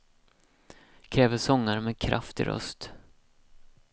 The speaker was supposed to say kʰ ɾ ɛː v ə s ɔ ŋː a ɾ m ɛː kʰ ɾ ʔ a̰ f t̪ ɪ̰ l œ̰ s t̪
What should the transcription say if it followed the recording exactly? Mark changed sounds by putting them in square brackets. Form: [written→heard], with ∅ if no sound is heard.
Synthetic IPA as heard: kʰ ɾ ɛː v ə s ɔ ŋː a ɾ m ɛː kʰ ɾ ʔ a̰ f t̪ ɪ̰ [l→ɾ] œ̰ s t̪